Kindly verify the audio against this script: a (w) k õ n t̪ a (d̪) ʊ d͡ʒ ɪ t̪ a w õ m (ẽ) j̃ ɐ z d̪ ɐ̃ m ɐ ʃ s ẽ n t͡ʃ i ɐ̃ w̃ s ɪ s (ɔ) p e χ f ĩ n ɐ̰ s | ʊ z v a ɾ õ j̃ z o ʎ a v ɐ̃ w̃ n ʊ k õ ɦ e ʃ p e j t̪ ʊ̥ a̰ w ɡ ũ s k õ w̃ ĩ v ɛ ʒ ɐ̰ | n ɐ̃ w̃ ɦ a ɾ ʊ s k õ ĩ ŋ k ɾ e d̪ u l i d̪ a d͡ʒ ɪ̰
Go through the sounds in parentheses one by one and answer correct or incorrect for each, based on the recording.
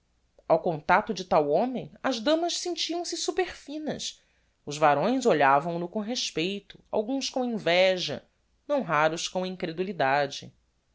correct, incorrect, correct, incorrect

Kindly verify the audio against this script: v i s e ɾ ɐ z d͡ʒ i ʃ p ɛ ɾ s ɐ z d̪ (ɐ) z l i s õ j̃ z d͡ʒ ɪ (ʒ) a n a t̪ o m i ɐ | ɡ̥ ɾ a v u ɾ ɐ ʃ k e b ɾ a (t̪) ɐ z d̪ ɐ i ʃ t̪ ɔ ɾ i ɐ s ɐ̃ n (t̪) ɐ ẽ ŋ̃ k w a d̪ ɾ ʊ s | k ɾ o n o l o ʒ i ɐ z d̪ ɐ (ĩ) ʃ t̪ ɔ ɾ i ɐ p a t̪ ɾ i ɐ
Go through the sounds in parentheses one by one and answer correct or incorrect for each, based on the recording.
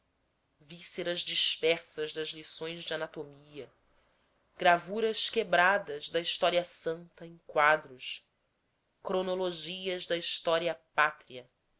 correct, incorrect, incorrect, correct, incorrect

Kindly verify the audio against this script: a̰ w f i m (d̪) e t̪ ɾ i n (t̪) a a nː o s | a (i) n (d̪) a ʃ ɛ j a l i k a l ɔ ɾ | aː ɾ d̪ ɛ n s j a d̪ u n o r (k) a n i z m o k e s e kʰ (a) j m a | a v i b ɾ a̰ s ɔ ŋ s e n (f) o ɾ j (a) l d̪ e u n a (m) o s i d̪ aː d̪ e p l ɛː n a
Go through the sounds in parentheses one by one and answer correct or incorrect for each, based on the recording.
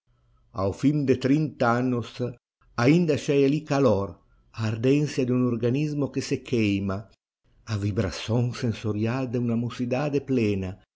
correct, correct, correct, correct, incorrect, incorrect, incorrect, correct, correct

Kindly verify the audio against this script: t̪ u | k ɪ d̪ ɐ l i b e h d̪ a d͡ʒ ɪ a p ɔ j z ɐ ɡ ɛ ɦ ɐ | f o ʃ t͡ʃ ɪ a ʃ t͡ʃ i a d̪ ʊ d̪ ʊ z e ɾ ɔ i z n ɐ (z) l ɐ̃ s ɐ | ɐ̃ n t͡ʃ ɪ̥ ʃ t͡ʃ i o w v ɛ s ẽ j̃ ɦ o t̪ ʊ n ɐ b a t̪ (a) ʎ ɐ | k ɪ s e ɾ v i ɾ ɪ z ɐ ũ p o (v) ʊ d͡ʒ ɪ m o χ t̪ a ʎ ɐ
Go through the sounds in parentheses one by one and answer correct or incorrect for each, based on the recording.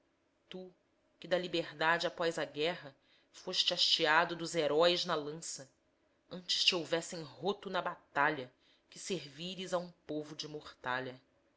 incorrect, correct, correct

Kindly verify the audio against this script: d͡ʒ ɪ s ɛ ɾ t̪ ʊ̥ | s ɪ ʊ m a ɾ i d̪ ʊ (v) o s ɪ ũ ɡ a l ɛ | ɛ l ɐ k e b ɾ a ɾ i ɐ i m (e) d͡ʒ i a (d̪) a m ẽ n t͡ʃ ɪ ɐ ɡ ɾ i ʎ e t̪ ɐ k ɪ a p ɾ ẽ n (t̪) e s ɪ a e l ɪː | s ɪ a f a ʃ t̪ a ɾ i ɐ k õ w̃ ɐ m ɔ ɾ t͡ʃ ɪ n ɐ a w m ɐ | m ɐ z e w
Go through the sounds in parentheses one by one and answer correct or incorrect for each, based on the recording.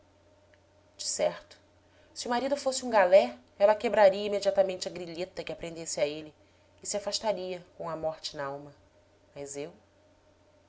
incorrect, correct, incorrect, incorrect

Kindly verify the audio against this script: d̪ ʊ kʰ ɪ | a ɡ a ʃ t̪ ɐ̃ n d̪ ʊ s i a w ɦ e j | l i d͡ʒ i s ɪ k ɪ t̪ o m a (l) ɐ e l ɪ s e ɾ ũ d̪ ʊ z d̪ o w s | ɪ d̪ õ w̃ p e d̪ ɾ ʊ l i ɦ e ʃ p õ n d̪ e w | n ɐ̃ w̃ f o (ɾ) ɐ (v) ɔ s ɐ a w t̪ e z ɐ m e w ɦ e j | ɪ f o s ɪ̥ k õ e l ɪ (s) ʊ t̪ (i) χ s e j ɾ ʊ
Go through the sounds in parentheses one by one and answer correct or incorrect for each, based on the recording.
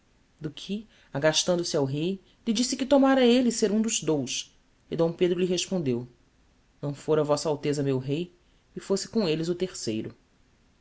incorrect, correct, correct, incorrect, incorrect

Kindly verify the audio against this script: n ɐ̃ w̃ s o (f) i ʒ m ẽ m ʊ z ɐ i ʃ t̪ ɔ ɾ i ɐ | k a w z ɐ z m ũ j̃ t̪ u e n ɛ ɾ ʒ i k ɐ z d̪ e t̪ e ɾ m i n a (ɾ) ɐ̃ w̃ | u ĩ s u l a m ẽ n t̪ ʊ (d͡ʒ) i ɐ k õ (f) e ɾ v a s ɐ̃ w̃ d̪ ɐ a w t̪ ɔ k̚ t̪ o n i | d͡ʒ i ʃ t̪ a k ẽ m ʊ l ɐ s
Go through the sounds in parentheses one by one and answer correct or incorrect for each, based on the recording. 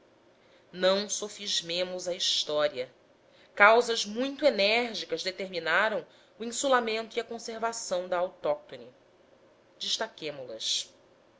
correct, correct, incorrect, incorrect

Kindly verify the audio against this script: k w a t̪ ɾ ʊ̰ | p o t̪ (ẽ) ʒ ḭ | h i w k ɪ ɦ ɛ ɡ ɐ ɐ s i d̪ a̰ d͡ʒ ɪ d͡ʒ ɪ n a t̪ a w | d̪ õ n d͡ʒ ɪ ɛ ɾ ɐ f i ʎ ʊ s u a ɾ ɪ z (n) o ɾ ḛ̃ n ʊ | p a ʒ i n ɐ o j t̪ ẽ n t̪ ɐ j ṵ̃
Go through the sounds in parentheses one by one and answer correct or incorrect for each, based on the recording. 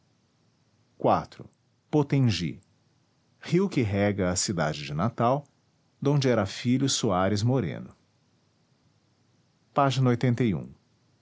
correct, incorrect

